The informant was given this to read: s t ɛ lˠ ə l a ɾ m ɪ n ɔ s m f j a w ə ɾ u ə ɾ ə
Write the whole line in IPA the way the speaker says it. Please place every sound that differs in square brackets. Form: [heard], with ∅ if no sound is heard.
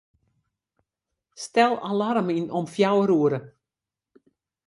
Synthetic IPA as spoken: s t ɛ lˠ [a] l a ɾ m [i] n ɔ [∅] m f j a w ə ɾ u ə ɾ ə